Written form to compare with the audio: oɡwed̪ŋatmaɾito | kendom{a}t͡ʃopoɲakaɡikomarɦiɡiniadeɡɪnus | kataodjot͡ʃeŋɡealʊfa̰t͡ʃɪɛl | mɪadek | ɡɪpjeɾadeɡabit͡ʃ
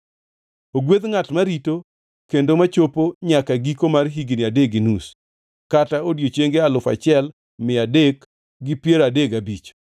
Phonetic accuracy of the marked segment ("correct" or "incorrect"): correct